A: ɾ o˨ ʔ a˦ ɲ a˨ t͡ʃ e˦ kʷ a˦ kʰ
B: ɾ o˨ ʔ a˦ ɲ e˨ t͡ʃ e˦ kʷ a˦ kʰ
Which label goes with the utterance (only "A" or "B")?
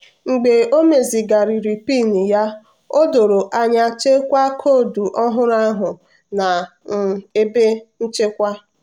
A